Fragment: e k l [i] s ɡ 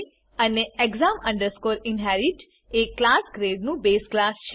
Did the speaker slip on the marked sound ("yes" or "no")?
yes